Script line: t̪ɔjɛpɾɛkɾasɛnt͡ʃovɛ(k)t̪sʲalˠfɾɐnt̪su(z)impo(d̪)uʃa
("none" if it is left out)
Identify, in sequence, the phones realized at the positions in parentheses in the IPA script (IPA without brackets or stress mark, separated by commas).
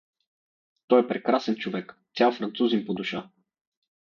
k, z, d̪